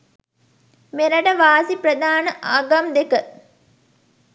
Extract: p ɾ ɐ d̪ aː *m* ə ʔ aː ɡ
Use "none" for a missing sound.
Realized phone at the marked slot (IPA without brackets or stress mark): n